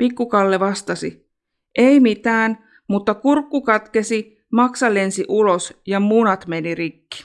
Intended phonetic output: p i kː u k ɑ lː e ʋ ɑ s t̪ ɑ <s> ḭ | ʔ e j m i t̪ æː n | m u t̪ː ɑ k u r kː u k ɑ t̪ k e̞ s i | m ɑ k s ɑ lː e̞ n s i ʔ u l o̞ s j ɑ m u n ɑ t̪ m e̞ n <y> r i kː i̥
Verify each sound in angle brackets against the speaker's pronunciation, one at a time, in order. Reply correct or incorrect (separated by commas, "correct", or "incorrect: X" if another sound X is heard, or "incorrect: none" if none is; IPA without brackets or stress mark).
correct, incorrect: i